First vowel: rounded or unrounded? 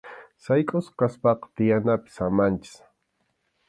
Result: unrounded